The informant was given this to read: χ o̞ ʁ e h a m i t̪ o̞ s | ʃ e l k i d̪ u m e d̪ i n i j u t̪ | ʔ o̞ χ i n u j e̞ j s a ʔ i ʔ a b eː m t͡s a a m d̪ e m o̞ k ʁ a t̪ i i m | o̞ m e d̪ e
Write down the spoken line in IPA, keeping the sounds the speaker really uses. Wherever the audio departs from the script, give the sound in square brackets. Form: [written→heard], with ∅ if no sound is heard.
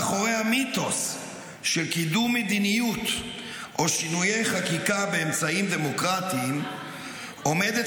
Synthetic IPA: χ o̞ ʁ e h a m i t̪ o̞ s | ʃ e l k i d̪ u m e d̪ i n i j u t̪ | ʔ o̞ [χ→ʃ] i n u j e̞ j [s→χ] a [ʔ→k] i [ʔ→k] a b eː m t͡s a [a→i] m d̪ e m o̞ k ʁ a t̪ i i m | o̞ m e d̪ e

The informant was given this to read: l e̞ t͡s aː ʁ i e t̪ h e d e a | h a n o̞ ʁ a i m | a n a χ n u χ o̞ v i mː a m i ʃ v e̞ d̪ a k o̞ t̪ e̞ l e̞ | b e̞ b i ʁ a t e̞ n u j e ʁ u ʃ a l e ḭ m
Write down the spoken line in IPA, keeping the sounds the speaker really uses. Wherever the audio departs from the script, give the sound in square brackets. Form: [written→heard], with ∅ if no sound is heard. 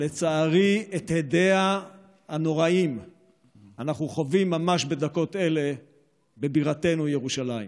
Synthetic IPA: l e̞ t͡s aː ʁ i e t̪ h e d e a | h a n o̞ ʁ a i m | a n a χ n u χ o̞ v i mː a m [i→a] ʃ [v→b] e̞ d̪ a k o̞ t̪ e̞ l e̞ | b e̞ b i ʁ a t e̞ n u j e ʁ u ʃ a l [e→a] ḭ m

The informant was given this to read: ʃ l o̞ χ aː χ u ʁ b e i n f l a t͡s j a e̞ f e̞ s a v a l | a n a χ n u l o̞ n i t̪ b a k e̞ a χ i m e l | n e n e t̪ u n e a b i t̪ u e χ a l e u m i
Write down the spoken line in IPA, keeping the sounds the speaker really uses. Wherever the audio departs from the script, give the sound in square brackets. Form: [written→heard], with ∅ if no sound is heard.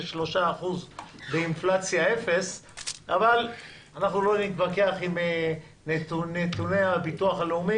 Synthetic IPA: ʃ l o̞ [χ→ʃ] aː χ u [ʁ→z] b e i n f l a t͡s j a e̞ f e̞ s a v a l | a n a χ n u l o̞ n i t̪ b a k e̞ a χ i m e [l→∅] | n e n e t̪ u n e a b i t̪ u [e→a] χ a l e u m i

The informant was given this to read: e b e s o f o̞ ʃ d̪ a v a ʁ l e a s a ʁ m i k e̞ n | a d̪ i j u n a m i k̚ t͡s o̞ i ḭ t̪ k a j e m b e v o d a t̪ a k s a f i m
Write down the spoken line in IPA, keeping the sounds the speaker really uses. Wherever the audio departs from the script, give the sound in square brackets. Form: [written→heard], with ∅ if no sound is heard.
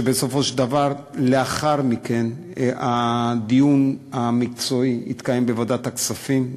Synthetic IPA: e b e s o f o̞ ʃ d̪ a v a ʁ l e a [s→χ] a ʁ m i k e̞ n | a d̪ i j u n a m i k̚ t͡s o̞ i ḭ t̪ k a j e m b e v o d a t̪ a k s a f i m

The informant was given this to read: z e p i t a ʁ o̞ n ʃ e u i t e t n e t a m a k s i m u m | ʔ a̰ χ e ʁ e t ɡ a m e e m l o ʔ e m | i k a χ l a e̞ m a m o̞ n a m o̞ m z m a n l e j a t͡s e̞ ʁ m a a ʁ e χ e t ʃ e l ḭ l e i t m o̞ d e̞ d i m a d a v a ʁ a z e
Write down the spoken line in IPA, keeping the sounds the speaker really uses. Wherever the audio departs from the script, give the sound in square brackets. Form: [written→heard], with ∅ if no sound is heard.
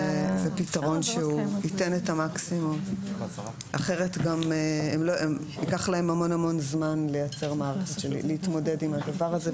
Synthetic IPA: z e p i t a ʁ o̞ n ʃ e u i t e [t→∅] n e t a m a k s i m u m | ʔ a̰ χ e ʁ e t ɡ a m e e m l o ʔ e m | i k a χ l a e̞ m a m o̞ n a m o̞ [m→n] z m a n l e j a t͡s e̞ ʁ m a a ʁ e χ e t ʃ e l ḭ l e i t m o̞ d e̞ d i m a d a v a ʁ a z e

